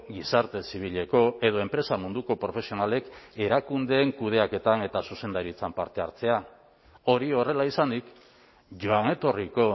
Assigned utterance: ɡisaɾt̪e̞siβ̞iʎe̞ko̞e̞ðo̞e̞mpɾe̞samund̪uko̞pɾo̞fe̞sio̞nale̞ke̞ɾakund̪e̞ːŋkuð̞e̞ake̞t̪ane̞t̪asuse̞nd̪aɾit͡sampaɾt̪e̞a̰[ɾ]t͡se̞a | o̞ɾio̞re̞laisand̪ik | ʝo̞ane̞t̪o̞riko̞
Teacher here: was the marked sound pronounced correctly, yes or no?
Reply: yes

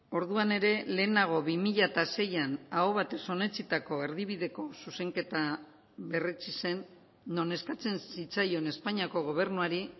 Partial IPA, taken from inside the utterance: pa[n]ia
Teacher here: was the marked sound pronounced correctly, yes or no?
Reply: no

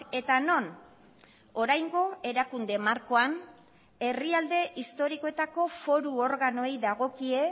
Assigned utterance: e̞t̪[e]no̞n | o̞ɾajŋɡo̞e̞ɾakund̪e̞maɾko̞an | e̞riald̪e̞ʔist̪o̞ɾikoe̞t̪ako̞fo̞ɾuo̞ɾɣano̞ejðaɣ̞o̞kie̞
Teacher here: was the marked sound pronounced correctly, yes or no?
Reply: no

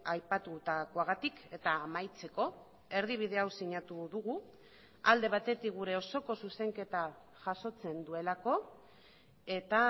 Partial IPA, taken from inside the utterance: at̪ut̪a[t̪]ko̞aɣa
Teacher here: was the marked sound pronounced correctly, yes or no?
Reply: no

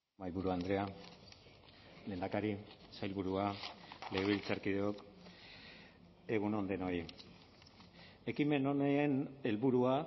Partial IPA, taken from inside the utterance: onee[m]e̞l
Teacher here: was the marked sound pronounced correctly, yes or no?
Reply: no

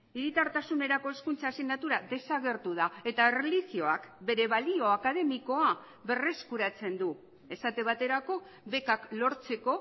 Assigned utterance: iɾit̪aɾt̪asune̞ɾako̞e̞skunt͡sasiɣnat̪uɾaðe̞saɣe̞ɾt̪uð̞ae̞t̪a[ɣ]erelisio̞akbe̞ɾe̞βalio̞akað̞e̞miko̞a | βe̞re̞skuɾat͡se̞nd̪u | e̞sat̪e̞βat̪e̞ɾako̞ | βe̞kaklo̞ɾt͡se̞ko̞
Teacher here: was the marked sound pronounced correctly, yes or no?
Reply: no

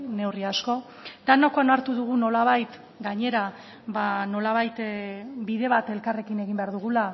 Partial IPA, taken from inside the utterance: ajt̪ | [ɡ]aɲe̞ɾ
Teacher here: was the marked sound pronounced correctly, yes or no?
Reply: yes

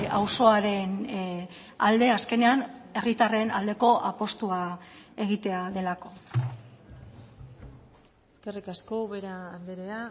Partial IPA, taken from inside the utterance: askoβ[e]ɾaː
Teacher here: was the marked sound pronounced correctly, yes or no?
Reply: yes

